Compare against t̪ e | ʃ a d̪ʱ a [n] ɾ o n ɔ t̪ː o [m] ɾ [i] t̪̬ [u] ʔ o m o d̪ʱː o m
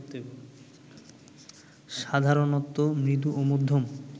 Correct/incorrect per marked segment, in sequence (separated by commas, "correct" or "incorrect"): incorrect, correct, correct, correct